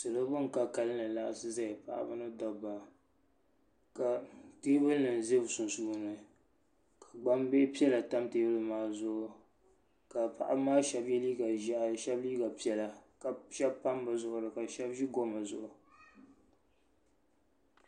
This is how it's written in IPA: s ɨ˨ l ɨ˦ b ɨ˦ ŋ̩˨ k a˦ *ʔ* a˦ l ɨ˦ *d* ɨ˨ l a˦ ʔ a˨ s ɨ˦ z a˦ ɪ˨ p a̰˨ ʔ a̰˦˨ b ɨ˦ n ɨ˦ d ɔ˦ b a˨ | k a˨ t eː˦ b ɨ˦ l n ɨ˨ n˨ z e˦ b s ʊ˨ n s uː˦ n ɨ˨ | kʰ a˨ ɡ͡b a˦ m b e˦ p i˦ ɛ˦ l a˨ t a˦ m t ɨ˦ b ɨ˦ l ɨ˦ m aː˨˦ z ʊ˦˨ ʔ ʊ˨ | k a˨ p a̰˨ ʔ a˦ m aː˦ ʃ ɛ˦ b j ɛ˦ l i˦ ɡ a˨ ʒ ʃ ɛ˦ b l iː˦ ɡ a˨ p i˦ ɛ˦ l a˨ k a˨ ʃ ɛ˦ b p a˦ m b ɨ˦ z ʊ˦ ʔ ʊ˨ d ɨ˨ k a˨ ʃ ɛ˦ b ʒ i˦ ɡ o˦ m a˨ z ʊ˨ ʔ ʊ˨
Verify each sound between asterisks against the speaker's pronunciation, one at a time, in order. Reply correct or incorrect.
incorrect, incorrect

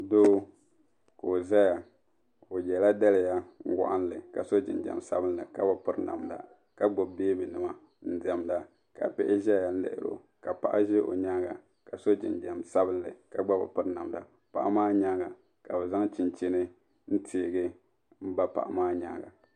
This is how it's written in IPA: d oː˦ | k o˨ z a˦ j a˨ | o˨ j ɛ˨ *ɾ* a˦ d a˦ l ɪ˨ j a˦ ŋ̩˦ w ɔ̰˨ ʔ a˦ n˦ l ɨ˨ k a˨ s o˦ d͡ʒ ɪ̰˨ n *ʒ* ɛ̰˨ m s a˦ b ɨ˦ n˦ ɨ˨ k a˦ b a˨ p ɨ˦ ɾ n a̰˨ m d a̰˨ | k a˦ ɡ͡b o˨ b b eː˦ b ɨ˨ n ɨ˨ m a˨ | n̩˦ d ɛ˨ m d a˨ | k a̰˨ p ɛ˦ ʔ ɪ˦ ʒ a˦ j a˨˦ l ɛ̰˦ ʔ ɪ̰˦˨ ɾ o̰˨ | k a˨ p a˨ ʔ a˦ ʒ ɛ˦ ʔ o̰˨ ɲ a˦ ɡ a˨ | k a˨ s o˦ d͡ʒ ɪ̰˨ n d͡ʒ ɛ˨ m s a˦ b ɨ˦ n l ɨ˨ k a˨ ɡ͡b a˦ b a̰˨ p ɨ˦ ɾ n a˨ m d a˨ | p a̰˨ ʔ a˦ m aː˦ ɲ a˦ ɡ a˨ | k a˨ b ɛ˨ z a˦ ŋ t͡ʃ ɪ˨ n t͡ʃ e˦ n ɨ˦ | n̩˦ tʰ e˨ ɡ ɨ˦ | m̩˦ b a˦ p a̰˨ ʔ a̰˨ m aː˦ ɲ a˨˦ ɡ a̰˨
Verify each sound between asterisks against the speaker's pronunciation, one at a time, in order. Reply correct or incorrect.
incorrect, incorrect

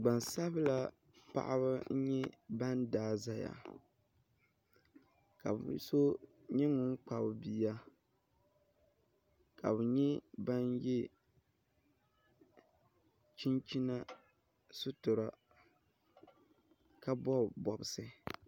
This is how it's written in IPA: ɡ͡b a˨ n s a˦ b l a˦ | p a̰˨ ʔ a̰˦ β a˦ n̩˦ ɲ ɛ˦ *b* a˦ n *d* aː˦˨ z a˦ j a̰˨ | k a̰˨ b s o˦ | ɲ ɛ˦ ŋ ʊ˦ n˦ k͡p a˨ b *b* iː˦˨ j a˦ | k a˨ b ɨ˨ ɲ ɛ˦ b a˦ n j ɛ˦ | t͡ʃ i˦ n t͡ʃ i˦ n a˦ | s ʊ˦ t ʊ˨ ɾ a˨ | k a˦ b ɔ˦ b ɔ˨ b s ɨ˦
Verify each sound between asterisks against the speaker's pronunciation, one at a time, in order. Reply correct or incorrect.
correct, correct, correct

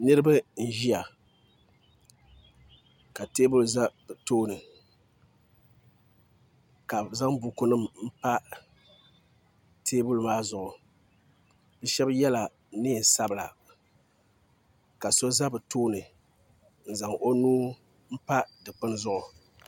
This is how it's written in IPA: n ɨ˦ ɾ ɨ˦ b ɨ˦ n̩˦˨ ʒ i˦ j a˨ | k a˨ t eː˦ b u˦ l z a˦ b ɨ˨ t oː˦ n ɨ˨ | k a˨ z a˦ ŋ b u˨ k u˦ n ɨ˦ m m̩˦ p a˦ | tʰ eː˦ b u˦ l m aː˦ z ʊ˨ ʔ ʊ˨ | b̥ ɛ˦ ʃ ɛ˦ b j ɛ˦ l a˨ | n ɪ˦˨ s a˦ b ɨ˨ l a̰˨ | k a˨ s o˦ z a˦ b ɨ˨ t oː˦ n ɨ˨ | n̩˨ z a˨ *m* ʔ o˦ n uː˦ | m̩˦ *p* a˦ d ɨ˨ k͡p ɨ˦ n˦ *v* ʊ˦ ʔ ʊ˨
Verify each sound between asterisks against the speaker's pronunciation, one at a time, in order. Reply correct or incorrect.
incorrect, correct, incorrect

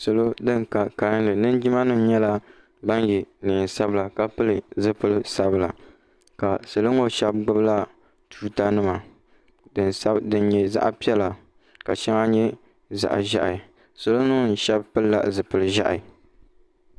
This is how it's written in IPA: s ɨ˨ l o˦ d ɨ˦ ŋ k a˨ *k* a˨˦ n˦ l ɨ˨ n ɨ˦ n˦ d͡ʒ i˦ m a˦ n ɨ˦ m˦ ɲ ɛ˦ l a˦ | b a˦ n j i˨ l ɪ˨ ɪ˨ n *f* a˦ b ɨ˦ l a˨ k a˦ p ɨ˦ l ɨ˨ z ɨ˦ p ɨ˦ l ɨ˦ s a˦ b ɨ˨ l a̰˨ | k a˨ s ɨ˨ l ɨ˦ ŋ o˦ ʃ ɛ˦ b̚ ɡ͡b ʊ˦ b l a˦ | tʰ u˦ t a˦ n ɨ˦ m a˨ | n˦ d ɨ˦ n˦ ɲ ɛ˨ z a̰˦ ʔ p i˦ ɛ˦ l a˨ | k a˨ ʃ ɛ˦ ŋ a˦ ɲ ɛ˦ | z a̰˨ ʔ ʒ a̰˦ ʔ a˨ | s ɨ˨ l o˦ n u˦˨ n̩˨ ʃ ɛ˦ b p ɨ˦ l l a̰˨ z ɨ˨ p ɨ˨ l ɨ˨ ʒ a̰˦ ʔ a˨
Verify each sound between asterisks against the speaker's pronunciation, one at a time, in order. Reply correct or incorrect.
correct, incorrect

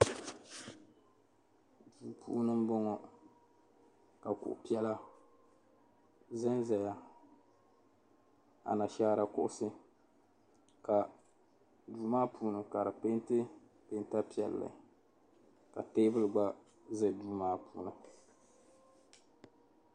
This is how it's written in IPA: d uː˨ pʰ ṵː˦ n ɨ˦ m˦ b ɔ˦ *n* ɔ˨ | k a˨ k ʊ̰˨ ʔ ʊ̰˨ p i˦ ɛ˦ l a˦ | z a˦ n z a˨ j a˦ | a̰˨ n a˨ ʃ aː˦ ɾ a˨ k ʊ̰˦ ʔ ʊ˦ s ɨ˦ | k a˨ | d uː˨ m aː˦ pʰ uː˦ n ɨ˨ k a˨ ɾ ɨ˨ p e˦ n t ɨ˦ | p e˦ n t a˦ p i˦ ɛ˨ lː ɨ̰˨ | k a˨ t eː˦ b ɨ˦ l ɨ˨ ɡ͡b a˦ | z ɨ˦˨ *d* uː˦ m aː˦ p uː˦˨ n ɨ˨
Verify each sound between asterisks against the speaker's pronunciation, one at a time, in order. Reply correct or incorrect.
incorrect, correct

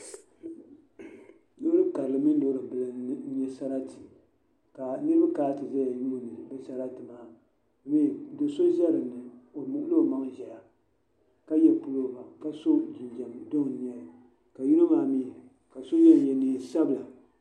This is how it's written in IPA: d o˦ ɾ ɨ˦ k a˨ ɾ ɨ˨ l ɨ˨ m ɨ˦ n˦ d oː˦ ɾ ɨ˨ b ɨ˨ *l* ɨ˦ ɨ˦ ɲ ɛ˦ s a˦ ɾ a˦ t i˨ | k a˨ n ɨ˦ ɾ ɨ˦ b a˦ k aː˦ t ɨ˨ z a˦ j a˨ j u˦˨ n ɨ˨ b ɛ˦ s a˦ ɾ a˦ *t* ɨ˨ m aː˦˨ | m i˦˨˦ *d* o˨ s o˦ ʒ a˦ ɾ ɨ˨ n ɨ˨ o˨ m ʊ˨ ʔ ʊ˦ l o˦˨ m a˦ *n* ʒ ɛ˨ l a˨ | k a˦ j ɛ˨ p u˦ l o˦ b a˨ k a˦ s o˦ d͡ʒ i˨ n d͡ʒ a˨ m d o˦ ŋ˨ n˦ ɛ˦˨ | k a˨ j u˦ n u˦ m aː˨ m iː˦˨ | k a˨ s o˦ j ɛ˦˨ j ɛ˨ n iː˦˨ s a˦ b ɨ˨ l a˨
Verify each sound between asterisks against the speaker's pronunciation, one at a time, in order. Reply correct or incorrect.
correct, correct, correct, incorrect

